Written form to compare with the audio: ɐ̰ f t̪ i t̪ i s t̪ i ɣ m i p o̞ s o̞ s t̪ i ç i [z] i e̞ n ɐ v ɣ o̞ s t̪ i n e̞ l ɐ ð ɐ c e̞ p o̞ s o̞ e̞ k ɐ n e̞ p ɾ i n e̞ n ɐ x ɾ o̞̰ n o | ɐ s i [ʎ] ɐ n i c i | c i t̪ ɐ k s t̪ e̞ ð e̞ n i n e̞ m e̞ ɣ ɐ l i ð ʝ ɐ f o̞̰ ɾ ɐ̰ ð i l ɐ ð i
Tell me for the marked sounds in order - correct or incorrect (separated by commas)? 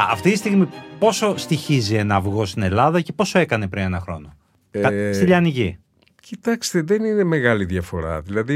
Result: correct, correct